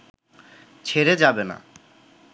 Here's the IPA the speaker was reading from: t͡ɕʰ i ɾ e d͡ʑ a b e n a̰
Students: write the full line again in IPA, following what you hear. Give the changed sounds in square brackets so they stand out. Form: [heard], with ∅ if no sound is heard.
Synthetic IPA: t͡ɕʰ [e] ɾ e d͡ʑ a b e n a̰

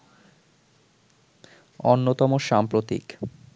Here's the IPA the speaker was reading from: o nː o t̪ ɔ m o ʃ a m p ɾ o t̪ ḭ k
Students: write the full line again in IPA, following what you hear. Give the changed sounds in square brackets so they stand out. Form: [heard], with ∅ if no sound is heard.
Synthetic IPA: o nː o t̪ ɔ m o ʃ a m p ɾ o t̪ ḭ k

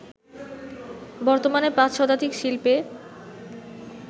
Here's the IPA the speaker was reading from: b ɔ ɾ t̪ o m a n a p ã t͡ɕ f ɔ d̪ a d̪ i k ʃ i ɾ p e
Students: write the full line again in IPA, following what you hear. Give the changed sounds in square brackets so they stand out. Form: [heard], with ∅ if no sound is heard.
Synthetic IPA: b ɔ ɾ t̪ o m a n [e] p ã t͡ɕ [ʃ] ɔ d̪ a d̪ i k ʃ i [l] p e

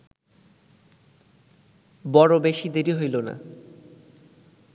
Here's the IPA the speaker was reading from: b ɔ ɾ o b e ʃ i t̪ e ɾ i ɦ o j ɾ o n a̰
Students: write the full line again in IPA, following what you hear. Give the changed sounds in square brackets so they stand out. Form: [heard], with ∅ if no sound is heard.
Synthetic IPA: b ɔ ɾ o b e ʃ i [d̪] e ɾ i ɦ o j [l] o n a̰

